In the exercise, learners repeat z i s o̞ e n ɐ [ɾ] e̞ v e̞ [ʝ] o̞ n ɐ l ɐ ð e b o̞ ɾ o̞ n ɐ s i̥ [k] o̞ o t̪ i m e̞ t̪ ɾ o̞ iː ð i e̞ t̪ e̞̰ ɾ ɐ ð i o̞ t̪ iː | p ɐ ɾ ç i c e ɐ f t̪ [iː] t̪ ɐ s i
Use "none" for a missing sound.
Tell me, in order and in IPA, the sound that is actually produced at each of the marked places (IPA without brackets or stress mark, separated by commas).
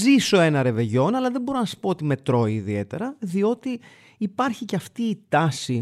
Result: ɾ, ʝ, p, iː